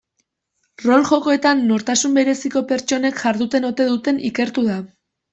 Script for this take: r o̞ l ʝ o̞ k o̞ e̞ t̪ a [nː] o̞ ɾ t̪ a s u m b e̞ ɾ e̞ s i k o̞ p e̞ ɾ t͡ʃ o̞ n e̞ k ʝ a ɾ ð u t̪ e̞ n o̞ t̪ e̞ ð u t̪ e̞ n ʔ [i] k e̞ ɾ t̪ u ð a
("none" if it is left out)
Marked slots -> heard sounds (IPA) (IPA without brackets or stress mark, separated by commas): nː, i